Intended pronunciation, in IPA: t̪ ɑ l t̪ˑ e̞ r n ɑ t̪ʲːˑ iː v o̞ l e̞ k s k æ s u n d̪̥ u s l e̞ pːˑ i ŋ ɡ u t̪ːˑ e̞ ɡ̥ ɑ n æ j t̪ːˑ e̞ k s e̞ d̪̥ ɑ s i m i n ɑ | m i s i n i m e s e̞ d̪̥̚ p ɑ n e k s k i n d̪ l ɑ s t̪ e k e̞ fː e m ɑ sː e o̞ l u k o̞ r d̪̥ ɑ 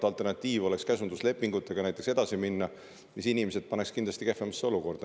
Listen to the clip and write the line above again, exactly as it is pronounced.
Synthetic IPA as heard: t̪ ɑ l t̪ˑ e̞ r n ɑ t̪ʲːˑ iː v o̞ l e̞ k s k æ s u n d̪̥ u s l e̞ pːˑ i ŋ ɡ u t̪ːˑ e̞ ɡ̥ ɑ n æ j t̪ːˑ e̞ k s e̞ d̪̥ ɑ s i m i nː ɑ | m i s i n i m e s e̞ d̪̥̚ p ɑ n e k s k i n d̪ l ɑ s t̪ i k e̞ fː e m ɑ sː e o̞ l u k o̞ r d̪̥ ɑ